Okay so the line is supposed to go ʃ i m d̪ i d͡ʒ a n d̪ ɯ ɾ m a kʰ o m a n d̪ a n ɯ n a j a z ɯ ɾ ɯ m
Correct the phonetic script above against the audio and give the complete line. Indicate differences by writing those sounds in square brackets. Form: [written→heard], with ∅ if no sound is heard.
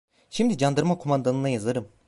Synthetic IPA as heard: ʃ i m d̪ i d͡ʒ a n d̪ ɯ ɾ m a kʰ o m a n d̪ a n ɯ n a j a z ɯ ɾ ɯ m